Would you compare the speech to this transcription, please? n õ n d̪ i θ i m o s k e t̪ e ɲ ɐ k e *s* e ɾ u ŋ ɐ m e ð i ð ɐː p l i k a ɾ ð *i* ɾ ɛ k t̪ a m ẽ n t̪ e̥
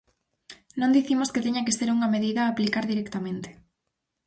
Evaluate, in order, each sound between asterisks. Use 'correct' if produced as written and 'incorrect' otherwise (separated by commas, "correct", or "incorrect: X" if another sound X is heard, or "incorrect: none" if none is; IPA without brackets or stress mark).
correct, correct